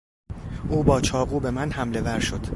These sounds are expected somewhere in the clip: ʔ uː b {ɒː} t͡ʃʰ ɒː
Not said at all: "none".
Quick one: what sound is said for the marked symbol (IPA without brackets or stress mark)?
ɒː